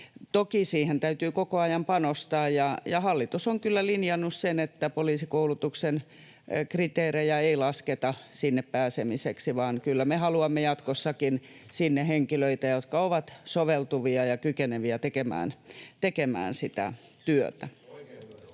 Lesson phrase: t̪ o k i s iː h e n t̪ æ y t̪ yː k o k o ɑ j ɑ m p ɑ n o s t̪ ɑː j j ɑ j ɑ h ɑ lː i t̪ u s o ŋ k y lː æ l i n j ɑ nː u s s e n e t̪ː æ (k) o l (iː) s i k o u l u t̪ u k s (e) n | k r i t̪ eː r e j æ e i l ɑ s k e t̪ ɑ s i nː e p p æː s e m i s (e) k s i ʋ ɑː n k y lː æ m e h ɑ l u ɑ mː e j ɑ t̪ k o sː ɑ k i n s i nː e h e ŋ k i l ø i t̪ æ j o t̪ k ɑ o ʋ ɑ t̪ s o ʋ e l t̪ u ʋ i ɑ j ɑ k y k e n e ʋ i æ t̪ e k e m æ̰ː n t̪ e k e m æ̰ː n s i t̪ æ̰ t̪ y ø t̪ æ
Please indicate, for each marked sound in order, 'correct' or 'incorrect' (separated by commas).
incorrect, correct, correct, correct